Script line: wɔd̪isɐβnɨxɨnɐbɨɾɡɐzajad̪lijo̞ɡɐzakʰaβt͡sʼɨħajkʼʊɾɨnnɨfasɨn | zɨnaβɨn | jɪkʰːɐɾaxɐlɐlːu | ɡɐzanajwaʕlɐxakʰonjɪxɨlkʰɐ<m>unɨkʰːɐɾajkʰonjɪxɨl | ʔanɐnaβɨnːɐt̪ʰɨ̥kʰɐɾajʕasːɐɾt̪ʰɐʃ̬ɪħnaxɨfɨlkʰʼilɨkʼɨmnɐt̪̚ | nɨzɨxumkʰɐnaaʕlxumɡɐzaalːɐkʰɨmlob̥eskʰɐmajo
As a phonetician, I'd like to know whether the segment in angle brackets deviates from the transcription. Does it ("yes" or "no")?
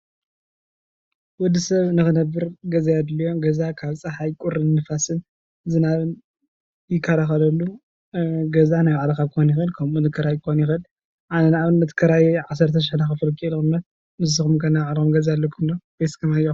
no